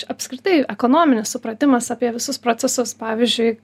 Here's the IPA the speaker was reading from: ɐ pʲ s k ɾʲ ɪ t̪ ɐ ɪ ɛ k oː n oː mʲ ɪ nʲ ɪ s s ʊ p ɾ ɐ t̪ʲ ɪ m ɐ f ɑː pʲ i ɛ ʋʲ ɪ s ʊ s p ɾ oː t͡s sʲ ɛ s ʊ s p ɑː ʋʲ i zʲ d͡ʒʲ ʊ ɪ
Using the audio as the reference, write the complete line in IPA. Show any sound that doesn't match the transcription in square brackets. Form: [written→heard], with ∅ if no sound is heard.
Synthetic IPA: ɐ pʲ s k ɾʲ ɪ t̪ ɐ ɪ ɛ k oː n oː mʲ ɪ nʲ ɪ s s ʊ p ɾ ɐ t̪ʲ ɪ m ɐ [f→s] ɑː pʲ i ɛ ʋʲ ɪ s ʊ s p ɾ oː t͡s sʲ ɛ s ʊ s p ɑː ʋʲ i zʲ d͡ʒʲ ʊ ɪ